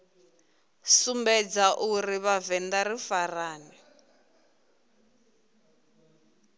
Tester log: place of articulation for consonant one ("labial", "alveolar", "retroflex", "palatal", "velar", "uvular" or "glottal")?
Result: alveolar